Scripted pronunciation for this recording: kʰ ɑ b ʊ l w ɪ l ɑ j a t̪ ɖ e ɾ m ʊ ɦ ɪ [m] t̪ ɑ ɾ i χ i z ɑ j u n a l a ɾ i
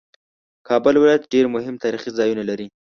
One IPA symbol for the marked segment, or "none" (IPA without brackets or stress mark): m